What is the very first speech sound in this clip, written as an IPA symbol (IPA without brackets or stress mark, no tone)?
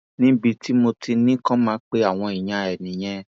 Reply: n